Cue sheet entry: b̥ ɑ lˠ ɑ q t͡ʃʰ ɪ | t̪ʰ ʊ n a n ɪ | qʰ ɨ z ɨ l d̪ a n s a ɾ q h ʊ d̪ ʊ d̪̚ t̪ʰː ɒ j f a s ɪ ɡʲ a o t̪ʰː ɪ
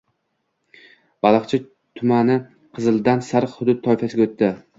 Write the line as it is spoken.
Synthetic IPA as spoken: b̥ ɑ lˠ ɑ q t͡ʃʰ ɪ | t̪ʰ ʊ m a n ɪ | qʰ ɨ z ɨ l d̪ a n s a ɾ q h ʊ d̪ ʊ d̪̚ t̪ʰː ɒ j f a s ɪ ɡʲ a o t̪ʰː ɪ

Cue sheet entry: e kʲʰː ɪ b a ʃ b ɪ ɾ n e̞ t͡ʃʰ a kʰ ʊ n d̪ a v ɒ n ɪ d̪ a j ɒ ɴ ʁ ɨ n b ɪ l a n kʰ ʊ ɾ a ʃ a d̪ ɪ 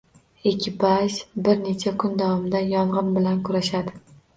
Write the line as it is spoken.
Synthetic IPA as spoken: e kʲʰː ɪ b a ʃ b ɪ ɾ n e̞ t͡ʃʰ a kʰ ʊ n d̪ a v ɒ m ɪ d̪ a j ɒ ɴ ʁ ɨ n b ɪ l a n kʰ ʊ ɾ a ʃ a d̪ ɪ

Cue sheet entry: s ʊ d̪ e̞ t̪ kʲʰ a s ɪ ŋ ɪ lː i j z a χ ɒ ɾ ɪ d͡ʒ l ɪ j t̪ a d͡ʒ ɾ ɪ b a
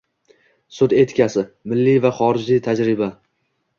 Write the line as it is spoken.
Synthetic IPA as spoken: s ʊ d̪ e̞ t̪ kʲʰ a s ɪ m ɪ lː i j v a χ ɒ ɾ ɪ d͡ʒ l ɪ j t̪ʰ a d͡ʒ ɾ ɪ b a

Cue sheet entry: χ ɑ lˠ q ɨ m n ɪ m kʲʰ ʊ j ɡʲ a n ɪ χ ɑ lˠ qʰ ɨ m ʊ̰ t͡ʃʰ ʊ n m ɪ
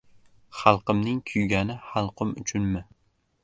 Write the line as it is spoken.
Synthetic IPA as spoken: χ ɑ lˠ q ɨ m n ɪ ŋ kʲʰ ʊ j ɡʲ a n ɪ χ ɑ lˠ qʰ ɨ m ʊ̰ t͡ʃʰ ʊ n m ɪ

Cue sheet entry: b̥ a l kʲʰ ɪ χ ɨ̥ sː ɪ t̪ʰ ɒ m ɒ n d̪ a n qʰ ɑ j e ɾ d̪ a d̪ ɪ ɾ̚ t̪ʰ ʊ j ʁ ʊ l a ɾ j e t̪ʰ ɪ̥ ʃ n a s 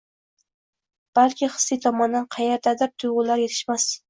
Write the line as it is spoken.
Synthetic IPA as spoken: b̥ a l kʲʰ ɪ χ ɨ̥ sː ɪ t̪ʰ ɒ m ɒ n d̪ a n qʰ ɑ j e ɾ d̪ a d̪ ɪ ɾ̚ t̪ʰ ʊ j ʁ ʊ l a ɾ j e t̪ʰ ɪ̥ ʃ m a s

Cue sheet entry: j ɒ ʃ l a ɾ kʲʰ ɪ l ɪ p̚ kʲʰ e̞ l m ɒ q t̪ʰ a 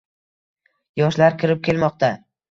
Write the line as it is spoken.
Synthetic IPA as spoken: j ɒ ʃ l a ɾ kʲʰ ɪ ɾ ɪ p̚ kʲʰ e̞ l m ɒ q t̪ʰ a

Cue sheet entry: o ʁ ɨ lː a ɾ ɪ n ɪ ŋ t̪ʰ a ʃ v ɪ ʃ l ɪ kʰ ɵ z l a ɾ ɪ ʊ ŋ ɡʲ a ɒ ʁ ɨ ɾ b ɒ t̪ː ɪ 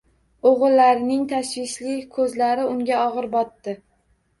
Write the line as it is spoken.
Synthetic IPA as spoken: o ʁ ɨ lː a ɾ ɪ n ɪ ŋ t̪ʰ a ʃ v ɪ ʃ l ɪ kʰ ɵ z l a ɾ ɪ ʊ ŋ ɡʲ a ɒ ʁ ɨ ɾ b ɒ t̪ː ɪ

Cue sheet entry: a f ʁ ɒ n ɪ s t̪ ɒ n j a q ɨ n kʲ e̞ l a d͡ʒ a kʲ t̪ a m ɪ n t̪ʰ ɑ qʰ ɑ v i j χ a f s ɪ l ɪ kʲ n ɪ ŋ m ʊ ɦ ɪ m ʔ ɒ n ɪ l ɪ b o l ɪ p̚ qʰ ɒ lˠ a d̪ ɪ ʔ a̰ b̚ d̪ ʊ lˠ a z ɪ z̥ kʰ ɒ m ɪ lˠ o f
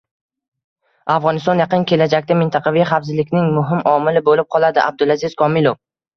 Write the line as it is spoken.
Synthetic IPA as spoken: a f ʁ ɒ n ɪ s t̪ ɒ n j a q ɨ n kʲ e̞ l a d͡ʒ a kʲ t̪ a m ɪ n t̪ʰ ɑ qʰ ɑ v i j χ a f z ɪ l ɪ kʲ n ɪ ŋ m ʊ ɦ ɪ m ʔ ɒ m ɪ l ɪ b o l ɪ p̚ qʰ ɒ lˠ a d̪ ɪ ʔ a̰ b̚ d̪ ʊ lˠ a z ɪ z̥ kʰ ɒ m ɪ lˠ o f

